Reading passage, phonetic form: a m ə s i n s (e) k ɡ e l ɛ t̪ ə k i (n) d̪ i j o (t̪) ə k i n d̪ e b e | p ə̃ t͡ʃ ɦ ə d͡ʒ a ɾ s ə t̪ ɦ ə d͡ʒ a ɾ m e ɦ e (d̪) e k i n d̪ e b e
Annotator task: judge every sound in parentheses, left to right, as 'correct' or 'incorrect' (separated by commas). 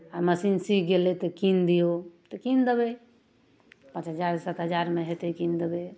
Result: incorrect, correct, correct, incorrect